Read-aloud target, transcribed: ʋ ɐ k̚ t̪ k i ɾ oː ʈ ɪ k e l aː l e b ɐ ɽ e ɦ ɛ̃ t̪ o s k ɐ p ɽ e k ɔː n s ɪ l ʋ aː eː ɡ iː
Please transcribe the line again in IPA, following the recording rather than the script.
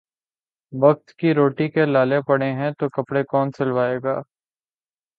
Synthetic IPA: ʋ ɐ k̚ t̪ k i ɾ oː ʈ i k e l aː l e p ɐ ɽ e ɦ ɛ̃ t̪ o k ɐ p ɽ e k ɔː n s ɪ l ʋ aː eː ɡ aː